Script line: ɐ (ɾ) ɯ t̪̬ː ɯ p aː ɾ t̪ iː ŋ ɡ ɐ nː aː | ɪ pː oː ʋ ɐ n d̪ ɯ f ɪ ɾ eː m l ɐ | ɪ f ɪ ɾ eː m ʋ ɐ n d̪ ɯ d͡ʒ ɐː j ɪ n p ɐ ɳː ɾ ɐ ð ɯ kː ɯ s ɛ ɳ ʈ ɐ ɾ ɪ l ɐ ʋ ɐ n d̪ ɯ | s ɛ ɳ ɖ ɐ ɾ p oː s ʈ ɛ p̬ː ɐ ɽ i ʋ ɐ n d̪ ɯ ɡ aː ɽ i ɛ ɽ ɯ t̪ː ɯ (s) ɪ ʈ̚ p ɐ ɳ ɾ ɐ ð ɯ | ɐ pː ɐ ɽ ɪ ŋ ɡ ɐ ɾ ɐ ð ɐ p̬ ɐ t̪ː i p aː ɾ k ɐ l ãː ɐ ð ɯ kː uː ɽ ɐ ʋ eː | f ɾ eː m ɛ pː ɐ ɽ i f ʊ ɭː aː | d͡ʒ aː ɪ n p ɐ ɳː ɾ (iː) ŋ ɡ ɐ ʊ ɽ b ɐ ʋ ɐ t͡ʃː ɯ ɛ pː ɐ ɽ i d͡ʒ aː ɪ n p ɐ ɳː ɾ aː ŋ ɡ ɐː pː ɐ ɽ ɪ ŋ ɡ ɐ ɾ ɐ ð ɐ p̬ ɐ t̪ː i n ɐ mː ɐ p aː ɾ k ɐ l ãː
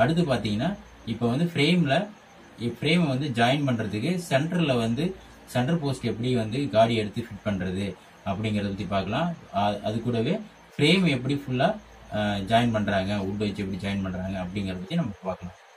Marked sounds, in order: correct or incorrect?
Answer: incorrect, incorrect, incorrect

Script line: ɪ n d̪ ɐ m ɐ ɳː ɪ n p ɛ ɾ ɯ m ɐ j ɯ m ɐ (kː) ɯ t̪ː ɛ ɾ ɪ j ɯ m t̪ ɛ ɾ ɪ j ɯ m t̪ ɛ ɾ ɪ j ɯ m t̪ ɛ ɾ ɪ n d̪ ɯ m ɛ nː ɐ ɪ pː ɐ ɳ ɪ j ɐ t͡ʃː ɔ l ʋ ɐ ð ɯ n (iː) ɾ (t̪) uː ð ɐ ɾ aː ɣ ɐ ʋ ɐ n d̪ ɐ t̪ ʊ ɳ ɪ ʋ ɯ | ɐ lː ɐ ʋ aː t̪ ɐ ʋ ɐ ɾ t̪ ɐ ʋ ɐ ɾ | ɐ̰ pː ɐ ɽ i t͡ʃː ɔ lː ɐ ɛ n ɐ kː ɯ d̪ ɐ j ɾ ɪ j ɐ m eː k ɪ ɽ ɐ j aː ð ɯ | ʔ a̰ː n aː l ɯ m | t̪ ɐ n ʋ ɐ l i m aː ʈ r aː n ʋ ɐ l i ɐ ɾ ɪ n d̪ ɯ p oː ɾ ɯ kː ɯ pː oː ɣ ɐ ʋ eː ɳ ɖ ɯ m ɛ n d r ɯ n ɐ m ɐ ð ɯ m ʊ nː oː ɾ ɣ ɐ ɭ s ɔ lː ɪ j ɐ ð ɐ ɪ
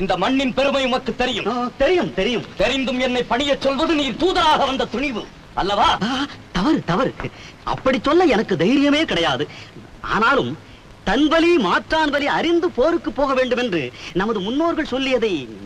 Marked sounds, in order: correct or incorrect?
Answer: correct, correct, correct

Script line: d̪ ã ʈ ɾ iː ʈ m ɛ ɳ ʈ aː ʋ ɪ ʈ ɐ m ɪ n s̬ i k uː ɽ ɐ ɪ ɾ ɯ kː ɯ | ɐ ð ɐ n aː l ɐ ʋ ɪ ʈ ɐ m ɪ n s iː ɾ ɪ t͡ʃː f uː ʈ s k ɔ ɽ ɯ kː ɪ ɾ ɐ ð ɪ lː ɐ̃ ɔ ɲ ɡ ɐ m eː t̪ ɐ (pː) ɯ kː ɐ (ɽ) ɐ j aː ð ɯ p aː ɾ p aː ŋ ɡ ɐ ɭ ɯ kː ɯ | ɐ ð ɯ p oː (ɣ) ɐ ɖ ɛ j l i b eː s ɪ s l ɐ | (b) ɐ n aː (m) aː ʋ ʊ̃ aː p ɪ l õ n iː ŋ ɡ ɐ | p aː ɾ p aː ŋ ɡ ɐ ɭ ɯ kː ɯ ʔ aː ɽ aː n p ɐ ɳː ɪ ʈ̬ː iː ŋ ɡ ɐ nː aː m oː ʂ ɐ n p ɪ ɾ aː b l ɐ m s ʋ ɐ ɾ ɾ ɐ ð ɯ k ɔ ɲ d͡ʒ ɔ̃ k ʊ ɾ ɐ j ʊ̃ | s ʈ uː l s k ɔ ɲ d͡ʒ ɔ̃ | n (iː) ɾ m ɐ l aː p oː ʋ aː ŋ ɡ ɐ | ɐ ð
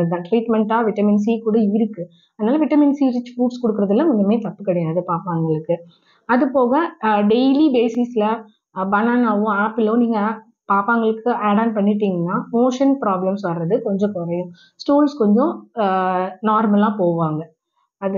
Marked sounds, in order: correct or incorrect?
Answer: correct, correct, correct, correct, incorrect, incorrect

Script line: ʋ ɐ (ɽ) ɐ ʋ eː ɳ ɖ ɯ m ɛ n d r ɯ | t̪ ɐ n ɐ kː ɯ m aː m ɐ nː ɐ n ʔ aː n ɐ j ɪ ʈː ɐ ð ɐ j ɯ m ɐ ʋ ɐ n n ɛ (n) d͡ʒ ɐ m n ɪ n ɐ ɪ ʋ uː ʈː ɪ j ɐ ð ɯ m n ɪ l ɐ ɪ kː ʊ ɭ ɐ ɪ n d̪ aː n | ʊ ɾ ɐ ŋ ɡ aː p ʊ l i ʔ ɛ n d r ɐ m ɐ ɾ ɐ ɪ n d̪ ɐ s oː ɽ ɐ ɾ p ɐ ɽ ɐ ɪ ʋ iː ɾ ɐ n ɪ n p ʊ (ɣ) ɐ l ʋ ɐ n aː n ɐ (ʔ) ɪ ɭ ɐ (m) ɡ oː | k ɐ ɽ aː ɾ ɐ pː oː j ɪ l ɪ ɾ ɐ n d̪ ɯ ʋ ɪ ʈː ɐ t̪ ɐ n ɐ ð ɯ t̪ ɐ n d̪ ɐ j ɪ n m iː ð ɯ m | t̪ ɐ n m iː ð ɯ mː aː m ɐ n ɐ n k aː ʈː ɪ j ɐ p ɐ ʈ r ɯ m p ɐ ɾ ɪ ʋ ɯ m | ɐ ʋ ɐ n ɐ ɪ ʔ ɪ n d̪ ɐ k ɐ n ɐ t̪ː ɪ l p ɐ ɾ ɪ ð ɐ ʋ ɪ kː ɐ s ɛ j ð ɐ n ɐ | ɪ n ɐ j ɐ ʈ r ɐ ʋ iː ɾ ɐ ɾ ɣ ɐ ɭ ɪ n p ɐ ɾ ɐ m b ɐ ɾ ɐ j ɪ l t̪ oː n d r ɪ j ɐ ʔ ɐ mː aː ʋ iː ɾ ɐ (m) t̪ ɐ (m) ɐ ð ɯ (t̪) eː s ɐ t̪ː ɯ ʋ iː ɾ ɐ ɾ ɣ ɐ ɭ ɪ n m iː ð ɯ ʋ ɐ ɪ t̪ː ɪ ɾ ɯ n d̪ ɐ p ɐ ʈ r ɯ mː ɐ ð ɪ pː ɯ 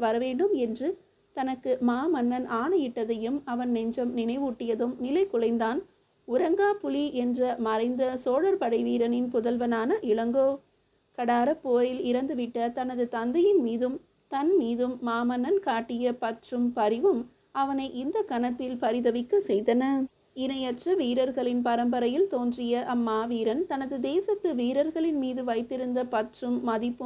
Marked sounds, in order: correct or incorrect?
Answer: incorrect, incorrect, incorrect, correct, incorrect, incorrect, incorrect, incorrect

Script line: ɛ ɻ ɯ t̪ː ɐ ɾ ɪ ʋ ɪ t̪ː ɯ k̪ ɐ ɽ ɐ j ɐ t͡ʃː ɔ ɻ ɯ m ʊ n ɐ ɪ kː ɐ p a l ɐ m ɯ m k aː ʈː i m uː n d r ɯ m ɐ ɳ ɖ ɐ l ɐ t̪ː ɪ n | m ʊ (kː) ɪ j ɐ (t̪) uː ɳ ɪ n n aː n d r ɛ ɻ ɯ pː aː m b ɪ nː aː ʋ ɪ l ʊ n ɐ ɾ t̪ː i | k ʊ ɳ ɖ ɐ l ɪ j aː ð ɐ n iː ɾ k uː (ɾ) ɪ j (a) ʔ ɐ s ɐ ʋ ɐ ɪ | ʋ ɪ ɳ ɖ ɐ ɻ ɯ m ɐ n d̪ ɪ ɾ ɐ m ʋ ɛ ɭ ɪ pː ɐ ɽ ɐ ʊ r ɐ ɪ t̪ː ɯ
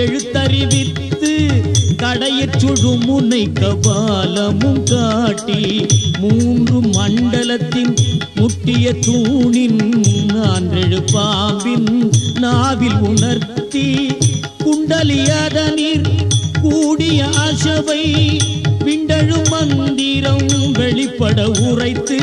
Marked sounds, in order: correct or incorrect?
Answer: incorrect, correct, incorrect, incorrect

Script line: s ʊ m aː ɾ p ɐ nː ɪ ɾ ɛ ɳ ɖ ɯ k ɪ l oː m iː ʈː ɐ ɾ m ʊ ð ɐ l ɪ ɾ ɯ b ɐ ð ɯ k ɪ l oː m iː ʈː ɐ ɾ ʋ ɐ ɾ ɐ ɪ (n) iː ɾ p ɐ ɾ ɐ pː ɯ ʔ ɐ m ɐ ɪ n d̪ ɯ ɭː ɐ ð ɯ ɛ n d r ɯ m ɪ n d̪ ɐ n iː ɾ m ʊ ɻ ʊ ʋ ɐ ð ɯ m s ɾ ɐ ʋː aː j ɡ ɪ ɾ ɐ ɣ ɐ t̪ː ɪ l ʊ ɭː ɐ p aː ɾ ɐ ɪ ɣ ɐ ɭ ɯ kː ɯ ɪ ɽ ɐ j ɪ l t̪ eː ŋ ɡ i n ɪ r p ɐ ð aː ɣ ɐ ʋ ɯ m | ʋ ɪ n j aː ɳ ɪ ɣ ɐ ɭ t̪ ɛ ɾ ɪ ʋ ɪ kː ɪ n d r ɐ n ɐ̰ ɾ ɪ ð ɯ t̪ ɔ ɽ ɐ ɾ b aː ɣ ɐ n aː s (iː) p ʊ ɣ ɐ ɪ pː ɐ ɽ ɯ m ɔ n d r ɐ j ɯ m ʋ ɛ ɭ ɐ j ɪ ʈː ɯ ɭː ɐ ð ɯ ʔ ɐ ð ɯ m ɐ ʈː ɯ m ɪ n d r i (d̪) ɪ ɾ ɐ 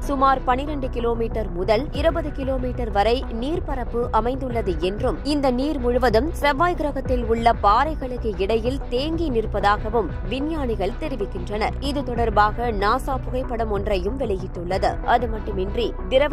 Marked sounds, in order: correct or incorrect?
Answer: correct, incorrect, correct

